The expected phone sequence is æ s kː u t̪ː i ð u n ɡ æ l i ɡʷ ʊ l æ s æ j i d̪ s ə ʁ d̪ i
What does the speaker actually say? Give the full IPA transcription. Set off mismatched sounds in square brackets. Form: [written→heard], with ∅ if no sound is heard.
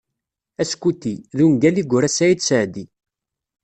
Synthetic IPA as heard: æ s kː u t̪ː i ð u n ɡ æ l i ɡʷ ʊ [l→ɾ] æ s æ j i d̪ s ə [ʁ→ʕ] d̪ i

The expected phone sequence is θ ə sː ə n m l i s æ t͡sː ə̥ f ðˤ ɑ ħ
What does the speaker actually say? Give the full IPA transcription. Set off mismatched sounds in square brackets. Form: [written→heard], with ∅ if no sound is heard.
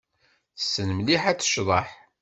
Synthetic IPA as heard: θ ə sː ə n m l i [s→ħ] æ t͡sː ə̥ [f→ʃ] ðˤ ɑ ħ

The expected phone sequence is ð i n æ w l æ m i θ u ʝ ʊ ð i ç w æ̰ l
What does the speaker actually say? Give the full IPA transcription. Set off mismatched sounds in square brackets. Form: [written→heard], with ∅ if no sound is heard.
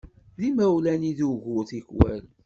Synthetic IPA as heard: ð i [n→m] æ w l æ [m→n] i [θ→ð] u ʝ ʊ [ð→θ] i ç w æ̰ l

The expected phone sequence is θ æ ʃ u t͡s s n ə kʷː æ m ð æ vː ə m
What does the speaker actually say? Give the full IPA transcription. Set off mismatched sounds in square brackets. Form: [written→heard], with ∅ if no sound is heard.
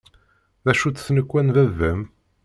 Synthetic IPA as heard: [θ→ð] æ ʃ u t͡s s n ə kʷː æ [m→n] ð æ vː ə m

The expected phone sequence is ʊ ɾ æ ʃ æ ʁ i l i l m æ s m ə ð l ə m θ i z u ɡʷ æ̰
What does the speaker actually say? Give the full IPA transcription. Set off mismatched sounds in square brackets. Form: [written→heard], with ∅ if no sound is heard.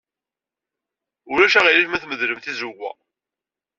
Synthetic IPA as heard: ʊ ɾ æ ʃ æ ʁ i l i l m æ [s→θ] m ə ð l ə m θ i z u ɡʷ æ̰

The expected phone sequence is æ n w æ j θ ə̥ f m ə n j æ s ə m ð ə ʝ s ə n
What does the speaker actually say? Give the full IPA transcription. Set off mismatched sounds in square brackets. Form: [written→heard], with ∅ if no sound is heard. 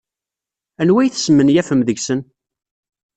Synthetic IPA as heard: æ n w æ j θ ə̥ [f→s] m ə n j æ [s→f] ə m ð ə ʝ s ə n

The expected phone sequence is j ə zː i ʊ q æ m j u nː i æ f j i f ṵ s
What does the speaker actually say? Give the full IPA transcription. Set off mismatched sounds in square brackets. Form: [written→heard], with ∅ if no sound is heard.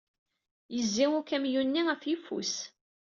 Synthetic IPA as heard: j ə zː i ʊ [q→k] æ m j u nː i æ f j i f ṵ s

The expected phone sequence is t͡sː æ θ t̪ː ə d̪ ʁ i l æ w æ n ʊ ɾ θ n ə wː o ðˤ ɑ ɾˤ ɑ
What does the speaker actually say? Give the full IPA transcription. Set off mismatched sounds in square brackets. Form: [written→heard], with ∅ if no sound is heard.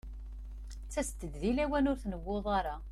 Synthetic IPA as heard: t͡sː æ [θ→s] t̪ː ə d̪ [ʁ→ð] i l æ w æ n ʊ ɾ θ n ə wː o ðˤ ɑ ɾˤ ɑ

